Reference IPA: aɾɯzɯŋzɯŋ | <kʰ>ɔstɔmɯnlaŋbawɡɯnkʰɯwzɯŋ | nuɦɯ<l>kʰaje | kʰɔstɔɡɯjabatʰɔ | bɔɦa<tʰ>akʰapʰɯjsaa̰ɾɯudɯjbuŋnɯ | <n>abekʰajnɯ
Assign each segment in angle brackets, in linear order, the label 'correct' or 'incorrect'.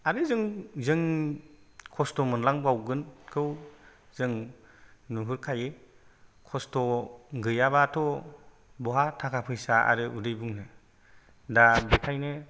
correct, incorrect, correct, incorrect

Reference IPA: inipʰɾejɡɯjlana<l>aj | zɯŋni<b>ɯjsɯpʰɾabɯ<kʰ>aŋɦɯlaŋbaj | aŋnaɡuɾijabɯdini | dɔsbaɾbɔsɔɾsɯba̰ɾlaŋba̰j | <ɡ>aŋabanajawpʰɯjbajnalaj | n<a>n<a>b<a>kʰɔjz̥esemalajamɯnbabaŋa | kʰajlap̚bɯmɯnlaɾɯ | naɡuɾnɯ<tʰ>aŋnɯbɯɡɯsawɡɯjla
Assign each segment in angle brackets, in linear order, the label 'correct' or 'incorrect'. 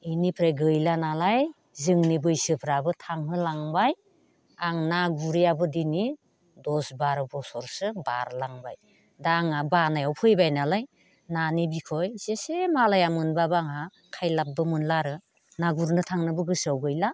correct, correct, incorrect, incorrect, correct, incorrect, incorrect, correct

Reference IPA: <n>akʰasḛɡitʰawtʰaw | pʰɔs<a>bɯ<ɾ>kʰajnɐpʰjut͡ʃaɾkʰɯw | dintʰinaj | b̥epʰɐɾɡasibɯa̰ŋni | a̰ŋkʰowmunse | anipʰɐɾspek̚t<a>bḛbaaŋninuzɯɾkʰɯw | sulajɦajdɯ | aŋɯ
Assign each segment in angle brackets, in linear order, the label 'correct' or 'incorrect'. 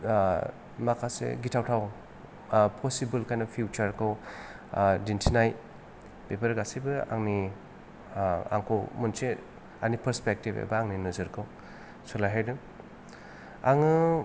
incorrect, incorrect, incorrect, incorrect

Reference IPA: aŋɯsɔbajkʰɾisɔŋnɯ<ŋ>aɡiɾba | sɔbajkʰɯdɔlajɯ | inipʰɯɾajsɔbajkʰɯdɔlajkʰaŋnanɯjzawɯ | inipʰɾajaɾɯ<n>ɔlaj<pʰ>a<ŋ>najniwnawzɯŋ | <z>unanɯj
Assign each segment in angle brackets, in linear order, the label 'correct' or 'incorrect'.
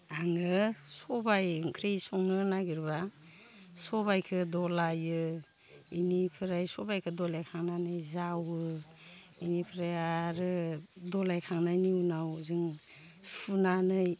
incorrect, incorrect, incorrect, correct, incorrect

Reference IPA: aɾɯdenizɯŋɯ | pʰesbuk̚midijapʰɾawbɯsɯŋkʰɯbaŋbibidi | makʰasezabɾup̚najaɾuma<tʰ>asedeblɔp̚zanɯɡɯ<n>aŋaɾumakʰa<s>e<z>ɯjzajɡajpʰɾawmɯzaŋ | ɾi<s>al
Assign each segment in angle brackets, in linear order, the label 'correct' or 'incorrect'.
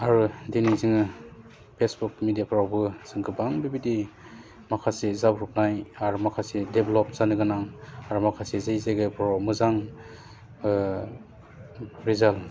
incorrect, correct, correct, correct, incorrect

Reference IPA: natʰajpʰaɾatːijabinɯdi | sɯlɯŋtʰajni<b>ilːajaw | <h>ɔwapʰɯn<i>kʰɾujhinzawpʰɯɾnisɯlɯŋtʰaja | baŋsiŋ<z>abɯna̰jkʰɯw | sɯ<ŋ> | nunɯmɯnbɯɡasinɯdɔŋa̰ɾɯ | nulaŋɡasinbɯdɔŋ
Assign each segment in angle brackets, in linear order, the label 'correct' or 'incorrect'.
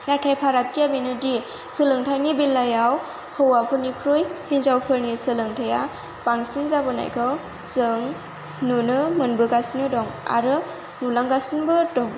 correct, correct, correct, correct, correct

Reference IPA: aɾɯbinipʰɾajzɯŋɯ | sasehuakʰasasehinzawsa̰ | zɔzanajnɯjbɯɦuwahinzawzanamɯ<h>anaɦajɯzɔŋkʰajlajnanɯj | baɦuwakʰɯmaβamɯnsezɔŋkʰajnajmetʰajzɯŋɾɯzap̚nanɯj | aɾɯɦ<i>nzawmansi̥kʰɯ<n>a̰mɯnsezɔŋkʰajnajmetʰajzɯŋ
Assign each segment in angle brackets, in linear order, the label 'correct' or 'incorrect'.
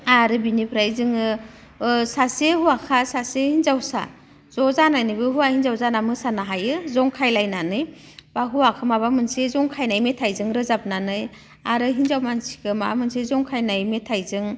incorrect, correct, incorrect

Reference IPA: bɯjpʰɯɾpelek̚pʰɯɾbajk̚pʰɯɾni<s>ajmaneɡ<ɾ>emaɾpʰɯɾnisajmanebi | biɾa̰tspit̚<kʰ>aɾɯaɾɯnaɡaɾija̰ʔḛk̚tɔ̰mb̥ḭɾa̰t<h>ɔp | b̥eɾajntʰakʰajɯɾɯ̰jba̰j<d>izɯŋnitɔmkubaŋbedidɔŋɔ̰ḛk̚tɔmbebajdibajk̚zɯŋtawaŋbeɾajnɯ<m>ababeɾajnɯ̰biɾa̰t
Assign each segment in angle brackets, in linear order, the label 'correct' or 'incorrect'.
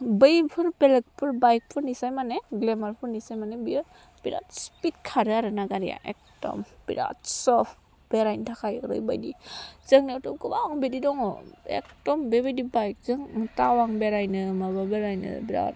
correct, incorrect, correct, incorrect, correct, correct

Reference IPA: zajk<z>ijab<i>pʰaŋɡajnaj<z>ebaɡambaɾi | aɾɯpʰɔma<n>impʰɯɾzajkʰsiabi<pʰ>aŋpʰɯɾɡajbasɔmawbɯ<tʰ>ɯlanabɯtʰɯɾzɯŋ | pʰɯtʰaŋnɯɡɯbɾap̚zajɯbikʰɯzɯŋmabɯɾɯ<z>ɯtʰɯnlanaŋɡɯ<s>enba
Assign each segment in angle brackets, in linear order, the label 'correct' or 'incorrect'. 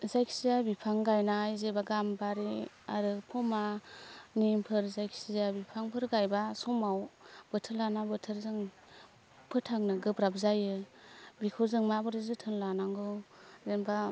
incorrect, correct, correct, correct, correct, correct, correct, incorrect

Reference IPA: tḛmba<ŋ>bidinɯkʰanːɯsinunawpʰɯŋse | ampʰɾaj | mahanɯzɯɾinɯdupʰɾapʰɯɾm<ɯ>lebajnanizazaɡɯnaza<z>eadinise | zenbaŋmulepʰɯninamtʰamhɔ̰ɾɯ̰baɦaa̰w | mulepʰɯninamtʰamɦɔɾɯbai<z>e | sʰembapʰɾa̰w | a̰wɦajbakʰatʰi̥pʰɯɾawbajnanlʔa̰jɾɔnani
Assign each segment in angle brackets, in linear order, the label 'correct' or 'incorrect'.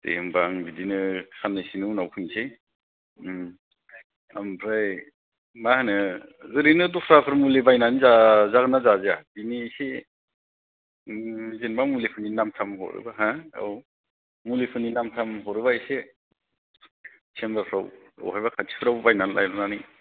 correct, incorrect, correct, incorrect

